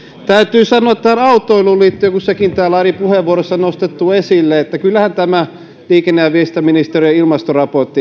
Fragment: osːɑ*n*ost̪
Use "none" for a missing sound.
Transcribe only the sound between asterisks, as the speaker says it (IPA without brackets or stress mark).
n